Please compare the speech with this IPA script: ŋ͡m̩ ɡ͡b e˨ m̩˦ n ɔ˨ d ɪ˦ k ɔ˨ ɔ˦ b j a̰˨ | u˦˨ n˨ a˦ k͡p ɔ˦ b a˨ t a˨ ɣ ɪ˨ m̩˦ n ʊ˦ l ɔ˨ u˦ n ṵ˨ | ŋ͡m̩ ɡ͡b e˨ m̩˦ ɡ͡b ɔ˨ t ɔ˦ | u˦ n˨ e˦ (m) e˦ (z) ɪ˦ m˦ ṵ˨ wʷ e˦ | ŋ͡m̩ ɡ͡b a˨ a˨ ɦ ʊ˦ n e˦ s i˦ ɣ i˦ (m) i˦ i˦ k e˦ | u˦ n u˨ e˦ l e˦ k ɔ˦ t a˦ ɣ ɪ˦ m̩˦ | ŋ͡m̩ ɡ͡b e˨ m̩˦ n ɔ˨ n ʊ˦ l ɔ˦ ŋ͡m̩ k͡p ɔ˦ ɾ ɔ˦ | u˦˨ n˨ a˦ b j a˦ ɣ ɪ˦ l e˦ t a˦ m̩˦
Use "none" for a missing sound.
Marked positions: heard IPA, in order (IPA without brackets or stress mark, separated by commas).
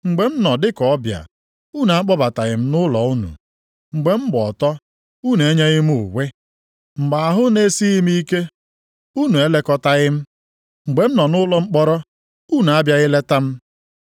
ɲ, ɣ, m